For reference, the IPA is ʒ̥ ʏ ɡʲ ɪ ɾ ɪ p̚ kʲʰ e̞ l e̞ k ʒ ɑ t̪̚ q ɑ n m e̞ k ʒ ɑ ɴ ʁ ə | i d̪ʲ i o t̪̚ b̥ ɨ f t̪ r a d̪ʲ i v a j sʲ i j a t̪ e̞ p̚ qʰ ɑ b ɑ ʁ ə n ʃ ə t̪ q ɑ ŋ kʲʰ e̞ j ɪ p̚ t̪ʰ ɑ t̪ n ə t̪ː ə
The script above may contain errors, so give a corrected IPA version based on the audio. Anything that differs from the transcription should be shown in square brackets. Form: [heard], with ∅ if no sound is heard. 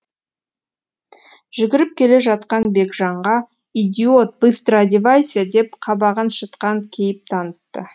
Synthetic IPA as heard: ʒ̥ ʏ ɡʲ ɪ ɾ ɪ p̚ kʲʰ e̞ l e̞ [∅] ʒ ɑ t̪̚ q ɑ n [b] e̞ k ʒ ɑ ɴ ʁ [ɑ] | i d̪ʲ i o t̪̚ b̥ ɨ [s] t̪ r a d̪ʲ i v a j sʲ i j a [d̪] e̞ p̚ qʰ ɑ b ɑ ʁ ə n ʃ ə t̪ q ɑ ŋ kʲʰ e̞ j ɪ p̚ t̪ʰ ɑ [∅] n ə t̪ː ə

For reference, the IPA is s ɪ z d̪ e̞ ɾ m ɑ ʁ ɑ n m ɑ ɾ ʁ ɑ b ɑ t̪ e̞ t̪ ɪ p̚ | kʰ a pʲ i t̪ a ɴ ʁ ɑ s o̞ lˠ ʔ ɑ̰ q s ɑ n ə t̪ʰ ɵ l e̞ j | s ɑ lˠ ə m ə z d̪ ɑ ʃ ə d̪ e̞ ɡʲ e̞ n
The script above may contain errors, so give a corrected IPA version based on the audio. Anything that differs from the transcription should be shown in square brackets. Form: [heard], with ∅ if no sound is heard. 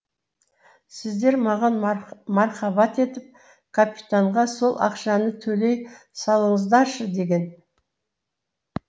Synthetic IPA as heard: s ɪ z d̪ e̞ ɾ m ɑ ʁ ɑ n m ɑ ɾ [χ] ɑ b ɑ t̪ e̞ t̪ ɪ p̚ | kʰ a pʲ i t̪ a ɴ ʁ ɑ s o̞ lˠ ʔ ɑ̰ q [ʃ] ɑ n ə t̪ʰ ɵ l e̞ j | s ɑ lˠ ə [ɴ] ə z d̪ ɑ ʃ ə d̪ e̞ ɡʲ e̞ n

